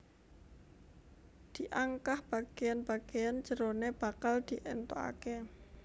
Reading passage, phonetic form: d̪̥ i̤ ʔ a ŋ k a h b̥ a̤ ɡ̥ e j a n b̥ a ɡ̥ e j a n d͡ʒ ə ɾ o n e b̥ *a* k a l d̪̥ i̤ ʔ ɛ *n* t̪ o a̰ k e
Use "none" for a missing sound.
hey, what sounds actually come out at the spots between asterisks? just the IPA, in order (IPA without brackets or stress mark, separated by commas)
a, n